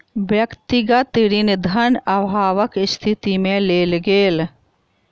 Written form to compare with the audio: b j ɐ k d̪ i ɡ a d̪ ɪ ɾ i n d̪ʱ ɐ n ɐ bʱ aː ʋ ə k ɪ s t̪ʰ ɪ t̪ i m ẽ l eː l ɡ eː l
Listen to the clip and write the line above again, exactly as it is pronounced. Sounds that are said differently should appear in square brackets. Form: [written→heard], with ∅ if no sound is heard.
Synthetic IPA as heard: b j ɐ k [d̪→t̪] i ɡ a [d̪→t̪] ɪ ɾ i n d̪ʱ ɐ n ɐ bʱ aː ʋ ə k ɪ s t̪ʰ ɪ t̪ i m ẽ l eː l ɡ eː l